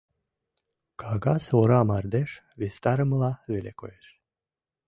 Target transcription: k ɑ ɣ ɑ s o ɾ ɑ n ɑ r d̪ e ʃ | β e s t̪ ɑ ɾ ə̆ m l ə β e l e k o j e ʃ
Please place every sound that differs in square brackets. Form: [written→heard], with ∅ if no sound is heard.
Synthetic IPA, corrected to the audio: k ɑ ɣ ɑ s o ɾ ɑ [n→m] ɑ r d̪ e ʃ | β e s t̪ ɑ ɾ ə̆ m l [ə→ɑ] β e l e k o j e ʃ